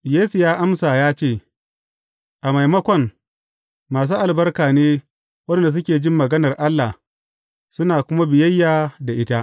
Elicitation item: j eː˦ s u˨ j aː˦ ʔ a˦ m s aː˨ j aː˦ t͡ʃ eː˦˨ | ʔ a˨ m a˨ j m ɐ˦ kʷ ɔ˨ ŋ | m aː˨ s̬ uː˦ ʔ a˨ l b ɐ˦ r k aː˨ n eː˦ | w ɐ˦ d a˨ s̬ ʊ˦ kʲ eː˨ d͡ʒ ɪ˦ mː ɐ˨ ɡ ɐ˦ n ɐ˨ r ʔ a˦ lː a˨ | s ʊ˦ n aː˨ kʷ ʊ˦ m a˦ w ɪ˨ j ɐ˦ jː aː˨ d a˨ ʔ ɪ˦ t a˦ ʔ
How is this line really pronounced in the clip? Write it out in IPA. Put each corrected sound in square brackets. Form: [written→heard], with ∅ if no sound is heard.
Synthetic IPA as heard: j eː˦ s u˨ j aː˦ ʔ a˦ m s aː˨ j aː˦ t͡ʃ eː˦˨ | ʔ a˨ m a˨ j m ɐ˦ kʷ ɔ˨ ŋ | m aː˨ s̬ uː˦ ʔ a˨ l b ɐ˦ r k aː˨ n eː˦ | w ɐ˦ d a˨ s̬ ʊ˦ kʲ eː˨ d͡ʒ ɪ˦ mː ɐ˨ ɡ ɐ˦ n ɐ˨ r ʔ a˦ lː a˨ | s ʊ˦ n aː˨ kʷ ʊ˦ m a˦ [w→b] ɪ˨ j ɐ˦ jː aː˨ d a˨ ʔ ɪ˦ t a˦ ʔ